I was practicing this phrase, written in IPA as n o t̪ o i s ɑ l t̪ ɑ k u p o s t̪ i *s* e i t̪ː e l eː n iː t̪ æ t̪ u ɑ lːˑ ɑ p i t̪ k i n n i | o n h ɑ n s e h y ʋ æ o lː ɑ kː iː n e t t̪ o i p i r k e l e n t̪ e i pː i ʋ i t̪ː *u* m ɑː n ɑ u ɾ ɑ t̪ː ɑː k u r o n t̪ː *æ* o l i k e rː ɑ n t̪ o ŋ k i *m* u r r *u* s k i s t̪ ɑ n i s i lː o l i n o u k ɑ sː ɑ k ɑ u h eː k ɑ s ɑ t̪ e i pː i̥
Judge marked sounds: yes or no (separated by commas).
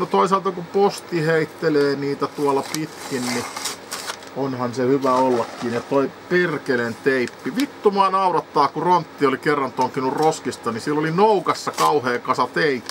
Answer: no, yes, no, no, no